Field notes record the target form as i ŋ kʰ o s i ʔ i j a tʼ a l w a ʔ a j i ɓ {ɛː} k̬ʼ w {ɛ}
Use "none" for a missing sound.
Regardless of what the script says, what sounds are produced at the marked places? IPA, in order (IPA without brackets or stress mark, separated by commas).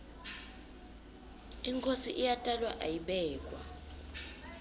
ɛː, a